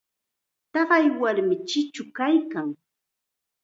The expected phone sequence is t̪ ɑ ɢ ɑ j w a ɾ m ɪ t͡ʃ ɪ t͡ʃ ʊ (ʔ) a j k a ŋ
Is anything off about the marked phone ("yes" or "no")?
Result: yes